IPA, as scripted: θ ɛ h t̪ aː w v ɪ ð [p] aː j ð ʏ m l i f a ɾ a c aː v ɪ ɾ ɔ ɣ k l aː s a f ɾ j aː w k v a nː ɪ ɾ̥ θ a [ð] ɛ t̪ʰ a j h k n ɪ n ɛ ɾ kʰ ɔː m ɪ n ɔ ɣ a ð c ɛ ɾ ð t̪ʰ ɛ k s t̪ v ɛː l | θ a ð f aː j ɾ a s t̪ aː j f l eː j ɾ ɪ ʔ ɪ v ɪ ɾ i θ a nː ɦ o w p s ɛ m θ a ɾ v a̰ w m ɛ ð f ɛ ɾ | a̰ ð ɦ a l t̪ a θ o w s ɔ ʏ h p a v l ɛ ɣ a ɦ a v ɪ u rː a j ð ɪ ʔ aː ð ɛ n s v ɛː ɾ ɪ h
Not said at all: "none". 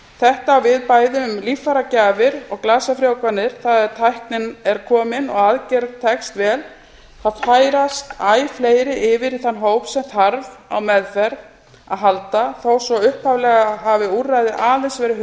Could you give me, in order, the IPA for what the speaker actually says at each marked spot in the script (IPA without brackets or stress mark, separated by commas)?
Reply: p, ð